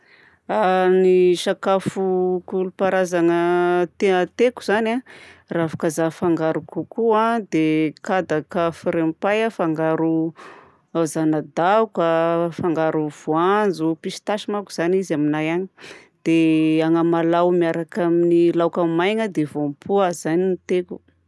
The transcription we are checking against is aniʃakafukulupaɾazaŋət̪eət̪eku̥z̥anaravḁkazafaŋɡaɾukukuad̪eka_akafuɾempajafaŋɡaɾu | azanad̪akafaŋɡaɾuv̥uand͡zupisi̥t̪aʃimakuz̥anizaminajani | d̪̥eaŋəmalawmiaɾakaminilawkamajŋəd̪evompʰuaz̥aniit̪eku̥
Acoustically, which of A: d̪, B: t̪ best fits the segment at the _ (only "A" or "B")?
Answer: A